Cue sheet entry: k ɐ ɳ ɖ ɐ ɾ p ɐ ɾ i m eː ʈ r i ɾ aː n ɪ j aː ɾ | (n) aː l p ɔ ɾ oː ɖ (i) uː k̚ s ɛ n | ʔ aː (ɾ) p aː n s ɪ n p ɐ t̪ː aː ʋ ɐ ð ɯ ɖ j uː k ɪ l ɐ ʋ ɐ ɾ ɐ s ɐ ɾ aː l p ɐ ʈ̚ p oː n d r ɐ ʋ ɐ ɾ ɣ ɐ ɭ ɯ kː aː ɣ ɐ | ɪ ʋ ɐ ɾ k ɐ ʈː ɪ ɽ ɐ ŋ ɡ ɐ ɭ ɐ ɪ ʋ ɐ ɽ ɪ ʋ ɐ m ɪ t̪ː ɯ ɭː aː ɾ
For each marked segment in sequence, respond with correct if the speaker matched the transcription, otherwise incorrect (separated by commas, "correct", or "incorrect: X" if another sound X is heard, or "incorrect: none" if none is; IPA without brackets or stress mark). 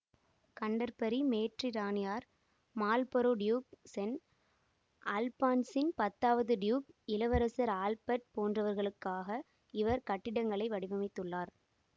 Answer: incorrect: m, incorrect: j, incorrect: l